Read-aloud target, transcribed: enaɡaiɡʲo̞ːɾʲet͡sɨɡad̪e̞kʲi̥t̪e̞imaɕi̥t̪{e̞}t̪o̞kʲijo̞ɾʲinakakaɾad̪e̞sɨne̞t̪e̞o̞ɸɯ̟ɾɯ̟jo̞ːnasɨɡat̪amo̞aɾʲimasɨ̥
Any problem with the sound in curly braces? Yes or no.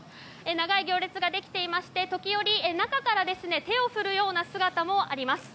no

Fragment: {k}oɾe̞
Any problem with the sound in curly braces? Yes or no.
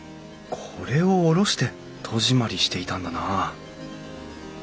yes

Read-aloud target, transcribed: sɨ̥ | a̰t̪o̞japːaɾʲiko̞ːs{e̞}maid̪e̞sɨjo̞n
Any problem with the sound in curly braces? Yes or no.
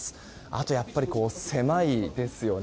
no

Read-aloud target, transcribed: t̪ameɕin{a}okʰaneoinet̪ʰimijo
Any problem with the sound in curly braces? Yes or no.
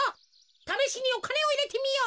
yes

